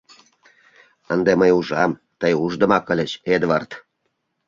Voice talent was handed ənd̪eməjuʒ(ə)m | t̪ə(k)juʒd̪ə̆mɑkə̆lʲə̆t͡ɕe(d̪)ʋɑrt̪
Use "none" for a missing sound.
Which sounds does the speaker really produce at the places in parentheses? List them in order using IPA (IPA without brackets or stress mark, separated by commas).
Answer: ɑ, none, d̪